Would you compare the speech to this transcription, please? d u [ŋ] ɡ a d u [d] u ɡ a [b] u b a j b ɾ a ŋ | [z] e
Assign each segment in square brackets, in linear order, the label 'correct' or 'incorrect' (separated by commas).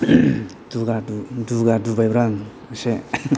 incorrect, correct, incorrect, incorrect